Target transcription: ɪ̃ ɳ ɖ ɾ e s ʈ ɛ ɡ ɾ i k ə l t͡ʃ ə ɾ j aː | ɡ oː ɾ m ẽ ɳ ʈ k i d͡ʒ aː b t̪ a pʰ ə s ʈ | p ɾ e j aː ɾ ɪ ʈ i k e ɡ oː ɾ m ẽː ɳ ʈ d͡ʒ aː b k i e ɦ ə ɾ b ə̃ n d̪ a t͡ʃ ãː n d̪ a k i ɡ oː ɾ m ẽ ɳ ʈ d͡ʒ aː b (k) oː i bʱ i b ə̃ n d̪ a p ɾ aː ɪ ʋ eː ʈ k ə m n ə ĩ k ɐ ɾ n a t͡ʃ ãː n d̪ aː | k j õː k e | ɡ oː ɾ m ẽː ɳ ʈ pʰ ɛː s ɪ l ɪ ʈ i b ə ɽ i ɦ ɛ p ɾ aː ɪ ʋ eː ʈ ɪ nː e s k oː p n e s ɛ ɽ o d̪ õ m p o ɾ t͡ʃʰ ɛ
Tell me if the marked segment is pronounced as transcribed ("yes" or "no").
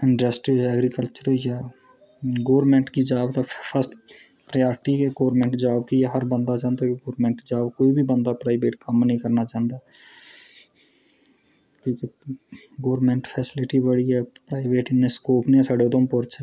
yes